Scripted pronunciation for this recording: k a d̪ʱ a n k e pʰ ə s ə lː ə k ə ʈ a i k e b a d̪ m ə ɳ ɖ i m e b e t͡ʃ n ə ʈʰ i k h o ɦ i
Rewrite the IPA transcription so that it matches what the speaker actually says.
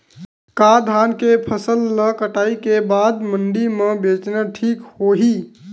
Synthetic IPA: k a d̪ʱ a n k e pʰ ə s ə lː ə k ə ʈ a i k e b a d̪ m ə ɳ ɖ i m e b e t͡ʃ n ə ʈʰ i k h o ɦ i